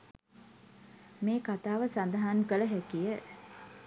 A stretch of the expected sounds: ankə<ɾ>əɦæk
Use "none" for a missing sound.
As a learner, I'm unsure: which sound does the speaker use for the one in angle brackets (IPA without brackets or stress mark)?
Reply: l